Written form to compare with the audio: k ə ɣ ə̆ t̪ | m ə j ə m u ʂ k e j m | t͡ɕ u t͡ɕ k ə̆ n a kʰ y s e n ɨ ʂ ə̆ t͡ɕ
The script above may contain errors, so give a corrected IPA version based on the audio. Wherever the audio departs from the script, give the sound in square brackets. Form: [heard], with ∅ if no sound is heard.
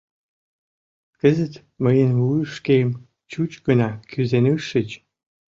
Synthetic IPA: k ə [z] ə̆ t̪ | m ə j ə [n] u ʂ k e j m | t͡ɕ u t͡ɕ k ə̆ n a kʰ y [z] e n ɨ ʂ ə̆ t͡ɕ